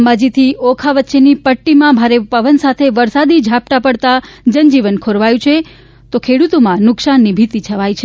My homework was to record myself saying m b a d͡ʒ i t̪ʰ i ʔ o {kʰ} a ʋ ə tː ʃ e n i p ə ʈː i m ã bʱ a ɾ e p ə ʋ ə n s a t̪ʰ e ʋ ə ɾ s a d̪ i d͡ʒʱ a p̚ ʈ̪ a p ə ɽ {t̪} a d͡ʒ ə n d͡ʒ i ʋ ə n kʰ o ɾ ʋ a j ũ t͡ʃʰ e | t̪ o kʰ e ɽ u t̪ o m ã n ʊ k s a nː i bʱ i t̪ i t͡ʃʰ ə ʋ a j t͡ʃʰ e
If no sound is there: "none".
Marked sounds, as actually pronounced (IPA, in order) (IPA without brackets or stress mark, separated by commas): kʰ, t̪